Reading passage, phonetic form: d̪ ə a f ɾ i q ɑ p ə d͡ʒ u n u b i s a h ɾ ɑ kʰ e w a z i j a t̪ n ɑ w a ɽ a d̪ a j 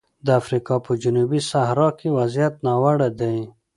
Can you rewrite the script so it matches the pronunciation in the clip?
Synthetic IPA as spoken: d̪ ə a f ɾ i k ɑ p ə d͡ʒ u n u b i s a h ɾ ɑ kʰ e w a z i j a t̪ n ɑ w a ɽ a d̪ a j